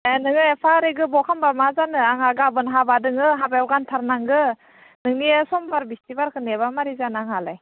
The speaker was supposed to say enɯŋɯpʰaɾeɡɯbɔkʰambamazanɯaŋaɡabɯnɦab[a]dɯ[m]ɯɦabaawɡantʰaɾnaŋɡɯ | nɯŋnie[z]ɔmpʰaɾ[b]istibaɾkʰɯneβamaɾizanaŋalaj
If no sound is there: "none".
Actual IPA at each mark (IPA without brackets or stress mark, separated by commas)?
a, ŋ, s, b